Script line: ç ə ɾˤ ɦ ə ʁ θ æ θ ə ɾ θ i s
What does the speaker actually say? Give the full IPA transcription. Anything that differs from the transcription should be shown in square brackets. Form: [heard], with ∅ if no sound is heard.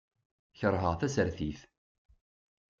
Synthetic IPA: ç ə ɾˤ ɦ ə ʁ θ æ [s] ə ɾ θ i [θ]